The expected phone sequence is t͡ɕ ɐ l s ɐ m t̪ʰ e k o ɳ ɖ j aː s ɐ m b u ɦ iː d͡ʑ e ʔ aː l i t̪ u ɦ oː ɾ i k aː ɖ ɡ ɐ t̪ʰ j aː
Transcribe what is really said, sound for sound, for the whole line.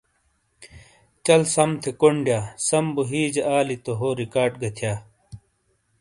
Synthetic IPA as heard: t͡ɕ ɐ l s ɐ m t̪ʰ e k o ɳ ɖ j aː s ɐ m b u ɦ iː d͡ʑ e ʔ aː l i t̪ o ɦ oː ɾ i k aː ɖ ɡ ɐ t̪ʰ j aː

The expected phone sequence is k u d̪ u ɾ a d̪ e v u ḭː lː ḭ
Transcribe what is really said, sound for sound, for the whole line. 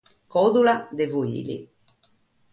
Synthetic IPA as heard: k ɔ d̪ u l a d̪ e v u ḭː l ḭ

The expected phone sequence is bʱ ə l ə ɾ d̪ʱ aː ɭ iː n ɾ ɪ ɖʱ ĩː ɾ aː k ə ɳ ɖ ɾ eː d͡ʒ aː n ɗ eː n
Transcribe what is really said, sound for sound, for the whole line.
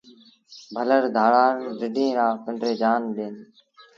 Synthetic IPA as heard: bʱ ə l ə ɾ d̪ʱ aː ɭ aː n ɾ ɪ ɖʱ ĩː ɾ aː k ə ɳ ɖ ɾ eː d͡ʒ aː n ɗ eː n

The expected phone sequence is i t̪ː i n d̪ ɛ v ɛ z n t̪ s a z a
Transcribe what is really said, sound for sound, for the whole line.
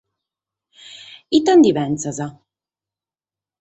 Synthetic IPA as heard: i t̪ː a n d̪ i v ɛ n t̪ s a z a

